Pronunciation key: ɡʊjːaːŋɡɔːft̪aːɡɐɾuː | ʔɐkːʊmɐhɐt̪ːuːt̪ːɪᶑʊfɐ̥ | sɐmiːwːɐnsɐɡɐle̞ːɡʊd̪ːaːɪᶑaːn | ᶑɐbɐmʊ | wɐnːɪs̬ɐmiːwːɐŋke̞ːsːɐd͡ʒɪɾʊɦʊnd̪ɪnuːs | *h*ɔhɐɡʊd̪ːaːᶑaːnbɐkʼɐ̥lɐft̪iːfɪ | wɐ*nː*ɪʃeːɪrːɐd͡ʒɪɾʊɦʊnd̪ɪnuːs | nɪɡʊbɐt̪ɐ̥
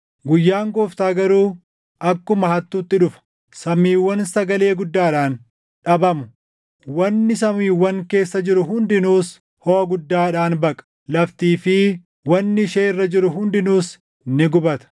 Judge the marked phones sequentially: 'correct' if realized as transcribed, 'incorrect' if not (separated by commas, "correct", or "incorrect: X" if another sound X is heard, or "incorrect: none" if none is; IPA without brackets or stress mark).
correct, correct